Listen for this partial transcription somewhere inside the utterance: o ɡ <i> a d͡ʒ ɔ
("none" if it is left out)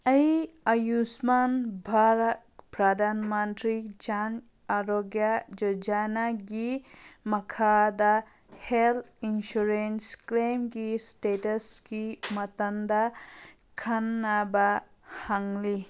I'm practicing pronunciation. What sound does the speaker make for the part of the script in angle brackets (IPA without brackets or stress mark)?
j